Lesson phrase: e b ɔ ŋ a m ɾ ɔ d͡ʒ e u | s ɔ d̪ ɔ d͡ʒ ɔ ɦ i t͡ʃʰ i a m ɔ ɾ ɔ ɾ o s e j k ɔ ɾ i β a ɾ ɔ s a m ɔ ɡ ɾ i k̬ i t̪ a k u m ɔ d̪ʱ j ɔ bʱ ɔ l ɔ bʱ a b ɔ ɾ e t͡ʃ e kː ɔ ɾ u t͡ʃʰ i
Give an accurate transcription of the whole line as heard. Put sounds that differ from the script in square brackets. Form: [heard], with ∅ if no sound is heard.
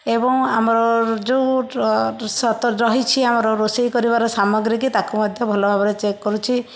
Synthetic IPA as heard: e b ɔ ŋ a m ɾ ɔ d͡ʒ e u | s ɔ [t̪] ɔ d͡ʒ ɔ ɦ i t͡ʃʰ i a m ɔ ɾ ɔ ɾ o s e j k ɔ ɾ i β a ɾ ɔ s a m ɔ ɡ ɾ i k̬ i t̪ a k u m ɔ d̪ʱ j ɔ bʱ ɔ l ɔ bʱ a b ɔ ɾ e t͡ʃ e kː ɔ ɾ u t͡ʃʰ i